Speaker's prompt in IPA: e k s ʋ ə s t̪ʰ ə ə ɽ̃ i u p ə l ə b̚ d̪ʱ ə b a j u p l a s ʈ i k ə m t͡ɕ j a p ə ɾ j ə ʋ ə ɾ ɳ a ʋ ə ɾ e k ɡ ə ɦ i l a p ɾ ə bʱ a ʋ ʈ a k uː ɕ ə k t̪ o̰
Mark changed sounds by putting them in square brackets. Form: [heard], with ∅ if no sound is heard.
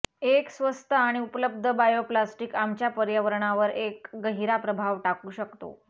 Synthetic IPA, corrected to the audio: e k s ʋ ə s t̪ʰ ə [a] ɽ̃ i u p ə l ə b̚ d̪ʱ ə b a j [o] p l a s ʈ i k [a] m t͡ɕ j a p ə ɾ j ə ʋ ə ɾ ɳ a ʋ ə ɾ e k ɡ ə ɦ i [ɾ] a p ɾ ə bʱ a ʋ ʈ a k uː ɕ ə k t̪ o̰